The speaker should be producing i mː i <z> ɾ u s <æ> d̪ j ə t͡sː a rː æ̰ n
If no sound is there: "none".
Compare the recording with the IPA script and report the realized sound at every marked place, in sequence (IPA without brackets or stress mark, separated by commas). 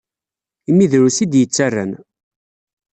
ð, i